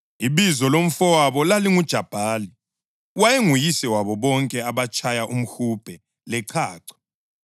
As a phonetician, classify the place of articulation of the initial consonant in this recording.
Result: labial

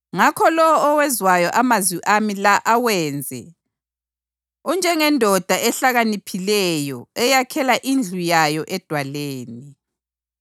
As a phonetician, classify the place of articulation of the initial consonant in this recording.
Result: velar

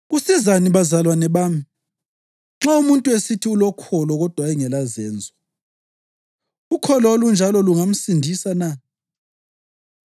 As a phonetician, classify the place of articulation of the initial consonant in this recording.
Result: velar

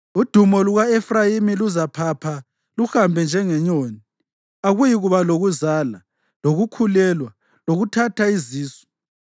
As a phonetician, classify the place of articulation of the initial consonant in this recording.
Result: alveolar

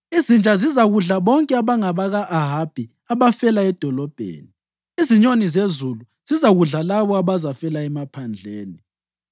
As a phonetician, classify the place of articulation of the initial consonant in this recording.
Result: alveolar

